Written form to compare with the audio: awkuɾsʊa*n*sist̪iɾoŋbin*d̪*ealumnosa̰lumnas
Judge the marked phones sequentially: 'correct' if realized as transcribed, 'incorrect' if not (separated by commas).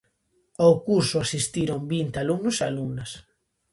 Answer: incorrect, incorrect